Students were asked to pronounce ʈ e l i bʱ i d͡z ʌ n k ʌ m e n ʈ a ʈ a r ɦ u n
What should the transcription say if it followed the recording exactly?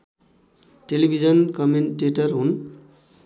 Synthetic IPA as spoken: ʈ e l i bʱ i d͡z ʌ n k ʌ m e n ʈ e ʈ ʌ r ɦ u n